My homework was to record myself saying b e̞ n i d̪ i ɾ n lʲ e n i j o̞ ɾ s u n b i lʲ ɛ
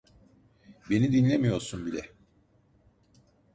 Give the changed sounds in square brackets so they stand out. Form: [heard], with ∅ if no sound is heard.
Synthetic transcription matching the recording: b e̞ n i d̪ i [∅] n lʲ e [m] i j o̞ ɾ s u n b i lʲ ɛ